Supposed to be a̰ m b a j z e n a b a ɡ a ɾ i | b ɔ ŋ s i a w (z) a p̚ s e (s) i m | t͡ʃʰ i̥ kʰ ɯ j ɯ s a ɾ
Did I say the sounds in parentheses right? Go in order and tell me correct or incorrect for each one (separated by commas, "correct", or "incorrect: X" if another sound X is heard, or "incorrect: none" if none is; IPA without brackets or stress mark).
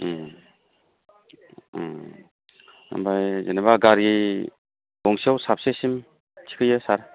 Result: incorrect: s, correct